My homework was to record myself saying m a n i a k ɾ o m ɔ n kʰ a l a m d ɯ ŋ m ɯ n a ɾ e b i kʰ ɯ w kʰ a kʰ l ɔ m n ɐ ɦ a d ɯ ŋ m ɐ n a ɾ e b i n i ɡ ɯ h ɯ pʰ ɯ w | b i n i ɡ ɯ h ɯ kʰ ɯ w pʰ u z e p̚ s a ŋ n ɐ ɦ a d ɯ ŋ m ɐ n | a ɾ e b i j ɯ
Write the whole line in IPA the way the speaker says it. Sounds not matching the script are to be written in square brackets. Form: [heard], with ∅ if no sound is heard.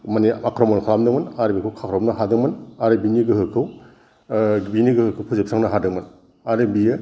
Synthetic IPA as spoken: m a n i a k ɾ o m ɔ n kʰ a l a m d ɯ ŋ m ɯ n a ɾ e b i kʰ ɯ w kʰ a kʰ [ɾ] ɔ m n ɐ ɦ a d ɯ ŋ m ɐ n a ɾ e b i n i ɡ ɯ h ɯ [kʰ] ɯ w | b i n i ɡ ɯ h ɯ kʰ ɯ w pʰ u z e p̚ s a ŋ n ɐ ɦ a d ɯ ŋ m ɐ n | a ɾ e b i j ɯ